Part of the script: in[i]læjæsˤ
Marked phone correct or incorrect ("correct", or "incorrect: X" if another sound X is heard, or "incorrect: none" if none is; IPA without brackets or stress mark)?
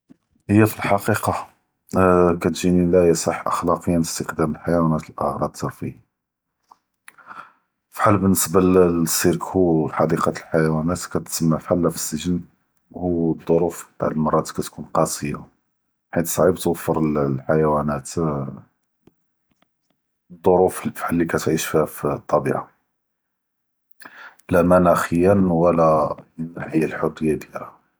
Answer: correct